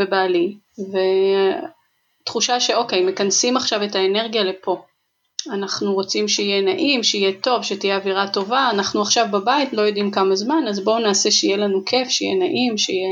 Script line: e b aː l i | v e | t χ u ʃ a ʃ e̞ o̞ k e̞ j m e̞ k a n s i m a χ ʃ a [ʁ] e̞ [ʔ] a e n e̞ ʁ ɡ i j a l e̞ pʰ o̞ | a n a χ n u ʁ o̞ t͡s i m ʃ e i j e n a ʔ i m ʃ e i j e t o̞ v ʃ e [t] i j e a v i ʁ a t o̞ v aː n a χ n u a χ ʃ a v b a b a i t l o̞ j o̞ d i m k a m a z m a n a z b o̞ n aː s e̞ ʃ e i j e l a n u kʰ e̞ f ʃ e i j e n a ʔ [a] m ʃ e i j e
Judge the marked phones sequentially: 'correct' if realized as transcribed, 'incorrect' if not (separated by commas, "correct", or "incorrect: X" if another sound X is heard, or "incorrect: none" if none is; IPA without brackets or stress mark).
incorrect: v, incorrect: t, correct, incorrect: i